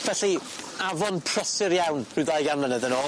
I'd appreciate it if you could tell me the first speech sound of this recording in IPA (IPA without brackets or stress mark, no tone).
v